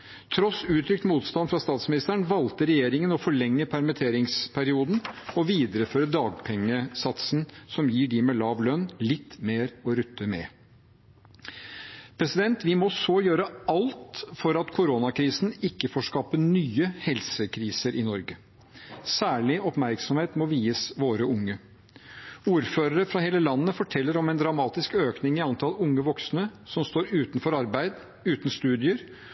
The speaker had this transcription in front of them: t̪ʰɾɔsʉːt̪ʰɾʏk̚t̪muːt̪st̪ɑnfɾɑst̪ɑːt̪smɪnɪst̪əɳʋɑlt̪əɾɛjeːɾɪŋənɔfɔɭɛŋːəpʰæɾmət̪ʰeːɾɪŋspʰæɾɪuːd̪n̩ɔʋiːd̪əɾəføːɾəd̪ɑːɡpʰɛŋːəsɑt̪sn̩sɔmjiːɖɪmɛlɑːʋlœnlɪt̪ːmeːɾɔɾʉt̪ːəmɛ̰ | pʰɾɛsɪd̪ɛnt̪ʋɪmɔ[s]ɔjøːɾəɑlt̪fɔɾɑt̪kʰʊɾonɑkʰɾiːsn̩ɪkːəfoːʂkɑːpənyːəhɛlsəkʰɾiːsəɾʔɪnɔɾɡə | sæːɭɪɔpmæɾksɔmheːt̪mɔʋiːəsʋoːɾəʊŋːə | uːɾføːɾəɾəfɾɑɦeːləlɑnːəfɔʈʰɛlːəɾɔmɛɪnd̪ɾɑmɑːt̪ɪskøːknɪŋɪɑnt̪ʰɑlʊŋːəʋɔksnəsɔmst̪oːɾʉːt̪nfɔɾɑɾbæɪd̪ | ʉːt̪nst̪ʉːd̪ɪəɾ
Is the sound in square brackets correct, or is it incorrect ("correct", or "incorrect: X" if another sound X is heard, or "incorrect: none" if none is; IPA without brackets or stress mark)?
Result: correct